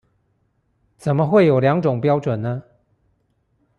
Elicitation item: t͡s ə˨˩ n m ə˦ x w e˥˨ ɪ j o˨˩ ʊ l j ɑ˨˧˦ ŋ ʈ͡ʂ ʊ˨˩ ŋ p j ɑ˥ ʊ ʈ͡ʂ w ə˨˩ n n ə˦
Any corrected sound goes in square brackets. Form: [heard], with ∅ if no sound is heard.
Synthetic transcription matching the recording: t͡s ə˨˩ n m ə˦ x w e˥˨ ɪ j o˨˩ ʊ l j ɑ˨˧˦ ŋ ʈ͡ʂ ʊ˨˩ ŋ p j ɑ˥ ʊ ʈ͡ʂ w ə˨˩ n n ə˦

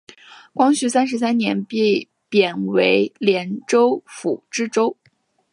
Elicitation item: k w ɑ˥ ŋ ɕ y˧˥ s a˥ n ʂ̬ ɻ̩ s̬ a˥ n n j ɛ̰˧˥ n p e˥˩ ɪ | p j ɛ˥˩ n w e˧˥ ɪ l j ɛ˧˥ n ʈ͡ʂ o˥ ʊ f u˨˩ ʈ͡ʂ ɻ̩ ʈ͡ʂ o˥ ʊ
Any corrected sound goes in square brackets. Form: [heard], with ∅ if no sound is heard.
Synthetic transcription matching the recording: k w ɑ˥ ŋ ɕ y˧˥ s a˥ n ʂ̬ ɻ̩ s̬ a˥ n n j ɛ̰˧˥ n p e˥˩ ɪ | p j [ɛ˨˩] n w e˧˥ ɪ l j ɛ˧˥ n ʈ͡ʂ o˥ ʊ f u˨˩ ʈ͡ʂ ɻ̩ ʈ͡ʂ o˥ ʊ

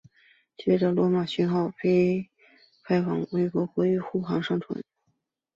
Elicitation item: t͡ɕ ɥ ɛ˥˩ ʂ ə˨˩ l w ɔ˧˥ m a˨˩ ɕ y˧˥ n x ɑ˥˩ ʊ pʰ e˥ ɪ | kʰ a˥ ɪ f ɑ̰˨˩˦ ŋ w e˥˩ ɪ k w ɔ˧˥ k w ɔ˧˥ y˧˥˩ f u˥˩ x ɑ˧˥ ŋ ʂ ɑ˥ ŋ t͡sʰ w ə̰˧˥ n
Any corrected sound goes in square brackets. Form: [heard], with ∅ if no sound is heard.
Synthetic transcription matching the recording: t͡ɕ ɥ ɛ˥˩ [ʈ͡ʂ] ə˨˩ l w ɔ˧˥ m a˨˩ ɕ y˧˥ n x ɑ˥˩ ʊ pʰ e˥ ɪ | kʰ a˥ ɪ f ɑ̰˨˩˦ ŋ w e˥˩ ɪ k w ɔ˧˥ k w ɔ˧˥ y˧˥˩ [x] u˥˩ x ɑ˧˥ ŋ ʂ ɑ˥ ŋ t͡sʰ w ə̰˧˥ n

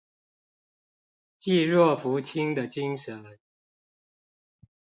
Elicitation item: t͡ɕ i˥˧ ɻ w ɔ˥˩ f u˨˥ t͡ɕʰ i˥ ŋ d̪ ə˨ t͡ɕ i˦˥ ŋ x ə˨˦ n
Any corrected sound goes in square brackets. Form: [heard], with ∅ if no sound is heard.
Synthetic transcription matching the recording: t͡ɕ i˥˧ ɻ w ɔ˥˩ f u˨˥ t͡ɕʰ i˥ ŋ d̪ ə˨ t͡ɕ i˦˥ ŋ [ʂ] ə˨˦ n

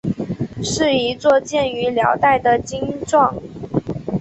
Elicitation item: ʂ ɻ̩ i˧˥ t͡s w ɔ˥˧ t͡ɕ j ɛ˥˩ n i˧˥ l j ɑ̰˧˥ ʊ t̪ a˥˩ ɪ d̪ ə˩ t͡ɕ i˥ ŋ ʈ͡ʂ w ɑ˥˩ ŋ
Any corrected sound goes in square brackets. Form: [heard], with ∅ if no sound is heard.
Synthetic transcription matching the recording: ʂ ɻ̩ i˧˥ t͡s w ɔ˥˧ t͡ɕ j ɛ˥˩ n [y˧˥] l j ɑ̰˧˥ ʊ t̪ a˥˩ ɪ d̪ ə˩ t͡ɕ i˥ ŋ ʈ͡ʂ w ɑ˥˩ ŋ

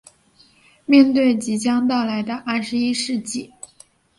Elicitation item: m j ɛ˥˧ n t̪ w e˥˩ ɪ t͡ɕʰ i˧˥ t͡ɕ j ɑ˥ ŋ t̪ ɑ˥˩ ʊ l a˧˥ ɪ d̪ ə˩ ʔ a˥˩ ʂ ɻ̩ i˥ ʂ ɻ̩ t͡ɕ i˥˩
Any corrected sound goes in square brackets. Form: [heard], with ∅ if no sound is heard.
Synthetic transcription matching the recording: m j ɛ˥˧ n t̪ w e˥˩ ɪ [t͡ɕ] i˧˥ t͡ɕ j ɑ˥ ŋ t̪ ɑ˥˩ ʊ l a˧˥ ɪ d̪ [ə˧] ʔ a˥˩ ʂ ɻ̩ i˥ ʂ ɻ̩ t͡ɕ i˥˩

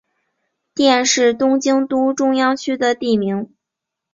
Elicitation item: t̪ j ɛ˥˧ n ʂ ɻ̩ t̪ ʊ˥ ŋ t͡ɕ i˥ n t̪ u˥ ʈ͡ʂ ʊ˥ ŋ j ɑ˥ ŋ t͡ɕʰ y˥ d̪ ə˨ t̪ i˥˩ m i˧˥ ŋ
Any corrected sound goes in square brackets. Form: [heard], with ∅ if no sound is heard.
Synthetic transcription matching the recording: t̪ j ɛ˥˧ n ʂ ɻ̩ t̪ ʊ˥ ŋ t͡ɕ i˥ [ŋ] t̪ u˥ ʈ͡ʂ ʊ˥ ŋ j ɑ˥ ŋ t͡ɕʰ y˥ d̪ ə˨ t̪ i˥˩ m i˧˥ ŋ

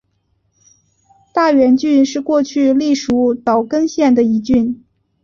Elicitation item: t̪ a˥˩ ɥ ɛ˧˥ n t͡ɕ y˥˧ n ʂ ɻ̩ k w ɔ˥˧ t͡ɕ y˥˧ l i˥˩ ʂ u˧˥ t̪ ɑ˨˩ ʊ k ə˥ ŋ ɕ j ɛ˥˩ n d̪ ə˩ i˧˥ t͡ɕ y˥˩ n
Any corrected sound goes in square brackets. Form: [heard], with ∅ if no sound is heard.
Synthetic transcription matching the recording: t̪ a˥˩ ɥ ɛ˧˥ n t͡ɕ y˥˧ n ʂ ɻ̩ k w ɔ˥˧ [t͡ɕʰ] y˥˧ l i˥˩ ʂ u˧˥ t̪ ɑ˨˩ ʊ k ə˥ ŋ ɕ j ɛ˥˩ n d̪ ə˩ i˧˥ t͡ɕ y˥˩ n

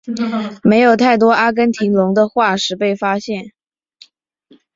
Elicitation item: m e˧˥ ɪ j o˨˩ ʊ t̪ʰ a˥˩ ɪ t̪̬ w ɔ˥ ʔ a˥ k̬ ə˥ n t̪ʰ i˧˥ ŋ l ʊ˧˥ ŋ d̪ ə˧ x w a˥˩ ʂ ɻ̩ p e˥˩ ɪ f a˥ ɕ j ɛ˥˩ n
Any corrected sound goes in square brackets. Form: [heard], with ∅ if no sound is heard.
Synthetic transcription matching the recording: m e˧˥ ɪ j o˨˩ ʊ t̪ʰ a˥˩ ɪ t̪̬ w ɔ˥ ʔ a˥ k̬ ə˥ n t̪ʰ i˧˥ ŋ l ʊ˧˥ ŋ d̪ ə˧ x w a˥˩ ʂ ɻ̩ p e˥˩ ɪ f a˥ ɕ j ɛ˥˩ n

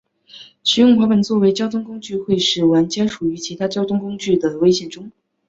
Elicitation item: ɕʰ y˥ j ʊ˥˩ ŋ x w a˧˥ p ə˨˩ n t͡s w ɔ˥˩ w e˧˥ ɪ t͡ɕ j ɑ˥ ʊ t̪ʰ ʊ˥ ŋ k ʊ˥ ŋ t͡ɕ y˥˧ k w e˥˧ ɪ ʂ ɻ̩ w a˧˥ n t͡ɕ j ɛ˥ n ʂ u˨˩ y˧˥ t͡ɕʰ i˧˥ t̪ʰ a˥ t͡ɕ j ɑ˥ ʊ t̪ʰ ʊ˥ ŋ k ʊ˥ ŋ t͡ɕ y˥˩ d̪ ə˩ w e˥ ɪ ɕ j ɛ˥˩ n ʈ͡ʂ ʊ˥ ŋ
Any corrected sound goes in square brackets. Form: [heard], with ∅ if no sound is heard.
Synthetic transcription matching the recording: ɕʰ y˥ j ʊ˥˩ ŋ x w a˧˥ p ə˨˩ n t͡s w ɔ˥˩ w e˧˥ ɪ t͡ɕ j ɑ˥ ʊ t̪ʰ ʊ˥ ŋ k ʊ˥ ŋ t͡ɕ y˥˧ [x] w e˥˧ ɪ ʂ ɻ̩ w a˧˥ n t͡ɕ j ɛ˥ n ʂ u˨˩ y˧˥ t͡ɕʰ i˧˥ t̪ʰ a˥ t͡ɕ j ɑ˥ ʊ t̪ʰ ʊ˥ ŋ k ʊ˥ ŋ t͡ɕ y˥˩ d̪ ə˩ w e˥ ɪ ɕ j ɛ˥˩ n ʈ͡ʂ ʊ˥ ŋ

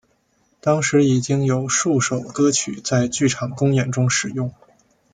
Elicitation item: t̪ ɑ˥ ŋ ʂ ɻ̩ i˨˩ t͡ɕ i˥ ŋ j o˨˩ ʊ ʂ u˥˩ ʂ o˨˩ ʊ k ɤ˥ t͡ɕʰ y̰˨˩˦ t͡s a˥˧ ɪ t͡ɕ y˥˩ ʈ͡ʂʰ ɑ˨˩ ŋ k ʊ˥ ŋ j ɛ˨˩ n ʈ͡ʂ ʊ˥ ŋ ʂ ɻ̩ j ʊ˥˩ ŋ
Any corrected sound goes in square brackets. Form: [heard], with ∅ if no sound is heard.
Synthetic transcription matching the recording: t̪ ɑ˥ ŋ ʂ ɻ̩ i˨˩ t͡ɕ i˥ ŋ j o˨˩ ʊ ʂ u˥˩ ʂ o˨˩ ʊ k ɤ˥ t͡ɕʰ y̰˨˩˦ t͡s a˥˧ ɪ t͡ɕ y˥˩ ʈ͡ʂʰ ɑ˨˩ ŋ k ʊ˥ ŋ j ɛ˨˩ n ʈ͡ʂ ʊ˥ ŋ ʂ ɻ̩ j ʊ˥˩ ŋ

